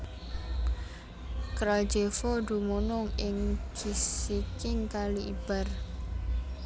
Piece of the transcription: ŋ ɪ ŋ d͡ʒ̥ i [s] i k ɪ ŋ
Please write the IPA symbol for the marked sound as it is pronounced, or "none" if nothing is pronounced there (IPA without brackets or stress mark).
s